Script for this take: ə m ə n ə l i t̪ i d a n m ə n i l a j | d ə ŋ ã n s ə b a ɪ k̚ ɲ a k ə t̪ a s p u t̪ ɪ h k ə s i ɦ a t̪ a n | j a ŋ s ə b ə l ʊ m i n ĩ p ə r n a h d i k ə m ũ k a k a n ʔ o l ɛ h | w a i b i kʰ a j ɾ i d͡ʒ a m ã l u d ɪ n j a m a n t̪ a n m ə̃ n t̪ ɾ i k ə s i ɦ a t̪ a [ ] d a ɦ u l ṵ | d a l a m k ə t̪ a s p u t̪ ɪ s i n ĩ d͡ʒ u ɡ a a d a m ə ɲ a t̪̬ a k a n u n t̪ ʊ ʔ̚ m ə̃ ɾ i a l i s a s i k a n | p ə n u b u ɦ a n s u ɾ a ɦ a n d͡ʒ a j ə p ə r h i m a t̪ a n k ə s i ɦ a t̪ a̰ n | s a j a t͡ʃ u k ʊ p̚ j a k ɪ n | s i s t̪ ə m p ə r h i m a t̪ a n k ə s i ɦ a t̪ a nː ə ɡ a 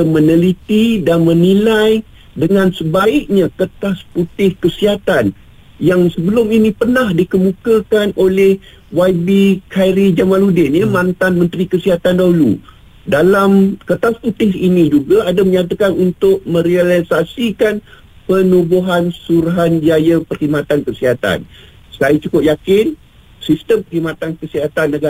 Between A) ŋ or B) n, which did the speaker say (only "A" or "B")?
B